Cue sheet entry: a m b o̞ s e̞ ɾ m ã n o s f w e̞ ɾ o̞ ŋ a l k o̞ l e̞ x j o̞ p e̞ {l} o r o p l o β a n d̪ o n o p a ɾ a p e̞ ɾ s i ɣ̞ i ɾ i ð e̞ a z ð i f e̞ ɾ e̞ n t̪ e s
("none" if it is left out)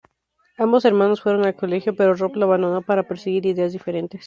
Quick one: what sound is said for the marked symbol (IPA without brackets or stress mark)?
ɾ